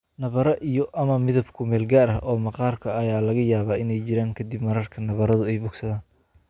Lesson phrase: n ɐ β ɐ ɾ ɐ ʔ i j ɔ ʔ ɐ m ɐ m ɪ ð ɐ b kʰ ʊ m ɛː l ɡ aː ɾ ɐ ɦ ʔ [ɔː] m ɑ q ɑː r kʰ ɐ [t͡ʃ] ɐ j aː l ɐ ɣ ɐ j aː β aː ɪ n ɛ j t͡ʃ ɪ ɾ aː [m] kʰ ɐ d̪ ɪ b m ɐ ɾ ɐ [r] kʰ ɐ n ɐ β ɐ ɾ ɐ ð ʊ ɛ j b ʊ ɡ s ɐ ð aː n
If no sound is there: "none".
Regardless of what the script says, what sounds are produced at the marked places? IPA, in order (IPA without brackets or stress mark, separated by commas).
ɔː, none, ŋ, r